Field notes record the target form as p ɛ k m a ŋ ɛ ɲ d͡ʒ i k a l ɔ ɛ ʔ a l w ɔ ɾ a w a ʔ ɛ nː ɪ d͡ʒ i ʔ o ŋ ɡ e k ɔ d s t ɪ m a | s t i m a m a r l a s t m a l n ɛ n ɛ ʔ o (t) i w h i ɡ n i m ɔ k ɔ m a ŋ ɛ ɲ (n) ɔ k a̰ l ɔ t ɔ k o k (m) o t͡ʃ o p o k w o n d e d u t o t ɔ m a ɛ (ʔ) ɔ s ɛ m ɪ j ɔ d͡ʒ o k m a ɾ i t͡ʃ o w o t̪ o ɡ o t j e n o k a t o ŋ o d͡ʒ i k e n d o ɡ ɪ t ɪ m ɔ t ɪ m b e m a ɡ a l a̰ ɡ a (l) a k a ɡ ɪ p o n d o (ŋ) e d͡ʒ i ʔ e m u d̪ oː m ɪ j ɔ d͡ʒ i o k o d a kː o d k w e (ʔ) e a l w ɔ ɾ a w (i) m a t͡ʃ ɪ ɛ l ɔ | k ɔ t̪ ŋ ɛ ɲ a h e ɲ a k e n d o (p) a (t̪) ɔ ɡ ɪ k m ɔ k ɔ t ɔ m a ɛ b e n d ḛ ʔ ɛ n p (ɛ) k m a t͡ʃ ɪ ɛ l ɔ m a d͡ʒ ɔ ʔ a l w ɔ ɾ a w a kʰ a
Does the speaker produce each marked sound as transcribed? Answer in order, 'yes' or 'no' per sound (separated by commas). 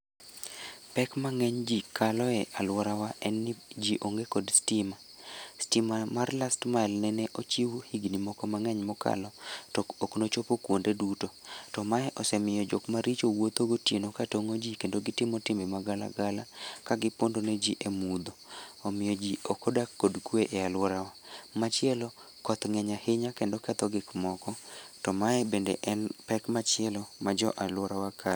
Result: no, no, no, yes, yes, no, yes, no, no, yes, yes